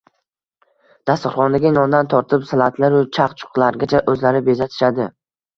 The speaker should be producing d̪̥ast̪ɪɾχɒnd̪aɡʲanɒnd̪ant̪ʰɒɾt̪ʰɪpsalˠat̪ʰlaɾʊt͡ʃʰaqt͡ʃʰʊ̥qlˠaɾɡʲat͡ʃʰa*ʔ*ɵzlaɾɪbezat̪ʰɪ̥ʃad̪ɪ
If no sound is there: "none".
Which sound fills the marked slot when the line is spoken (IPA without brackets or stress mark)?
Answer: ʔ